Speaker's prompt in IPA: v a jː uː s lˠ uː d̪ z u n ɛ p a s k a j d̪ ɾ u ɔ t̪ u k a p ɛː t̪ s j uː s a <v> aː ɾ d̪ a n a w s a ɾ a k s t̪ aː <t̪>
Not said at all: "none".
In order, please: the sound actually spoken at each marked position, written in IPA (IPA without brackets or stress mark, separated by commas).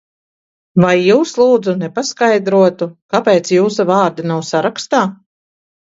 v, none